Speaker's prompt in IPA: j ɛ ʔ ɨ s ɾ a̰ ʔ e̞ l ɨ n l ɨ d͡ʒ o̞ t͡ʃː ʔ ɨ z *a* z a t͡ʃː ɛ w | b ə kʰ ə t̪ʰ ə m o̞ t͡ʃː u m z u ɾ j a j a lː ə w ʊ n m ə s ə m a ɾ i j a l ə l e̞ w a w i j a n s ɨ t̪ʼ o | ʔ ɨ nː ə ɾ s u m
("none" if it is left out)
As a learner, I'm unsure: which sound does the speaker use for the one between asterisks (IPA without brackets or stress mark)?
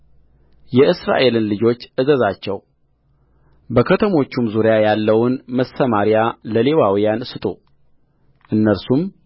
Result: ə